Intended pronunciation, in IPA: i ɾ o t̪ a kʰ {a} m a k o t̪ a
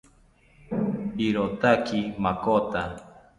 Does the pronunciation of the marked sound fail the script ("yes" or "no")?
yes